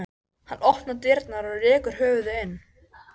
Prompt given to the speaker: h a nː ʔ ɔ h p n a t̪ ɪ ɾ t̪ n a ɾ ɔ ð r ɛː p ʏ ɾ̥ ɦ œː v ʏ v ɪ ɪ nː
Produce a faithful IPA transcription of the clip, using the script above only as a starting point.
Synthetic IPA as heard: h a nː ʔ ɔ h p n a t̪ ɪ ɾ t̪ n a ɾ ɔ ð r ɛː k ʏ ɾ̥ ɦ œː v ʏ ð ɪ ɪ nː